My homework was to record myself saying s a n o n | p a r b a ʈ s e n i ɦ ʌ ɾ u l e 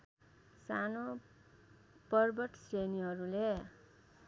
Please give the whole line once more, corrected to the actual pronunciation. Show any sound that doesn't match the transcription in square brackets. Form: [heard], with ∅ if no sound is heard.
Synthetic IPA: s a n o [∅] | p [ʌ] r b [ʌ] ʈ s e n i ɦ ʌ ɾ u l e

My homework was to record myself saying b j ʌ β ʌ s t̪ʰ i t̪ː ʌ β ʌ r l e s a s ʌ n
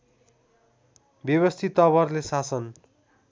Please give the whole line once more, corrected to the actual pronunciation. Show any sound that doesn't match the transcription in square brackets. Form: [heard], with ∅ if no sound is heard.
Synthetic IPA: b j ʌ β ʌ s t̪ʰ i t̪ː ʌ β ʌ r l e s a s ʌ n

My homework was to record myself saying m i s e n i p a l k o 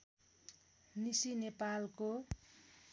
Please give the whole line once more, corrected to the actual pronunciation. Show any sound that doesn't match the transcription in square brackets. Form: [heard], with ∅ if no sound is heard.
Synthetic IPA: [n] i s [i] n [e] p a l k o

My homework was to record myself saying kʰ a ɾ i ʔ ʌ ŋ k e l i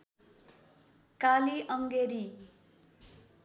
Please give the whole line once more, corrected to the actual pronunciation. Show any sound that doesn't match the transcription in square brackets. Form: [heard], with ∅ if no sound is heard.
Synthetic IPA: [k] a [l] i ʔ ʌ ŋ [ɡ] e [ɾ] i

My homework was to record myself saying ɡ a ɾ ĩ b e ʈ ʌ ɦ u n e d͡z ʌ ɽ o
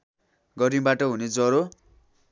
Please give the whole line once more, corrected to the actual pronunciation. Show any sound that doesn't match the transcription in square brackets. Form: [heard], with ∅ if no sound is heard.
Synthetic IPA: ɡ [ʌ] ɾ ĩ b [a] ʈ ʌ ɦ u n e d͡z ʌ [ɾ] o

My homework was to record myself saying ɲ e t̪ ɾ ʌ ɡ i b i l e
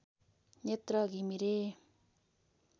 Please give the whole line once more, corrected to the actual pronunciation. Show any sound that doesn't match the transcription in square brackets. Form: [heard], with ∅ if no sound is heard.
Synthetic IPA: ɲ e t̪ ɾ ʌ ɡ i [m] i [ɾ] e

